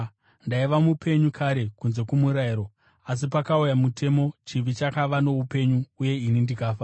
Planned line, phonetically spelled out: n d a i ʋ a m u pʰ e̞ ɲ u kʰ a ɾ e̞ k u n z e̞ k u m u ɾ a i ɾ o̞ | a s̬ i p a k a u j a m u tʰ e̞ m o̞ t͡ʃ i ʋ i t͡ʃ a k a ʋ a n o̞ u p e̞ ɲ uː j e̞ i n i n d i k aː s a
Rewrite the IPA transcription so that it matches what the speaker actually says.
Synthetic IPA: n d a i ʋ a m u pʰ e̞ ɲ u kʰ a ɾ e̞ k u n z e̞ k u m u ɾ a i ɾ o̞ | a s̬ i p a k a u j a m u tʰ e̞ m o̞ t͡ʃ i ʋ i t͡ʃ a k a ʋ a n o̞ u p e̞ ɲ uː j e̞ i n i n d i k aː f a